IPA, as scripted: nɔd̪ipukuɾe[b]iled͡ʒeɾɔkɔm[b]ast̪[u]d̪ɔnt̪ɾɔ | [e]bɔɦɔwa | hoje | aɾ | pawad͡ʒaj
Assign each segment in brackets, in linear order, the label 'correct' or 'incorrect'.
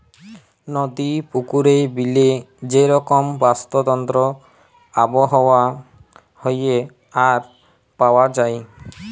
correct, correct, incorrect: ɔ, incorrect: a

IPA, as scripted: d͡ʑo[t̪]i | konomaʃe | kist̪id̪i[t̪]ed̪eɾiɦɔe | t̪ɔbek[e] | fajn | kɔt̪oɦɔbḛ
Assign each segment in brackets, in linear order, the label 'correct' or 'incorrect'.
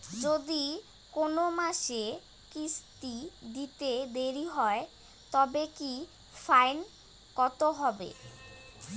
incorrect: d̪, correct, incorrect: i

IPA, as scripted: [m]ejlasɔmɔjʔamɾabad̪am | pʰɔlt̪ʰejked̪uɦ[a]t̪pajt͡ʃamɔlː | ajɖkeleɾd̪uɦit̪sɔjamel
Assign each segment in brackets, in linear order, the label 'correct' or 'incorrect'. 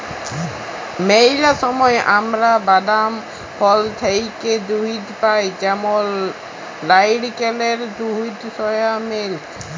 correct, incorrect: i

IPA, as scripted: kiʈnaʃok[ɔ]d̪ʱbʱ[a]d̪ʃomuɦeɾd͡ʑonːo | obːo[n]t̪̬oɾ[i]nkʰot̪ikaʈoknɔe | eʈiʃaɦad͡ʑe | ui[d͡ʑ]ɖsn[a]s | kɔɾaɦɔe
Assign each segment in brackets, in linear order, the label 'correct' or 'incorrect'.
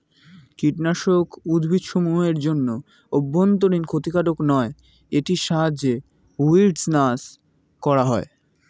incorrect: u, incorrect: i, correct, correct, incorrect: none, correct

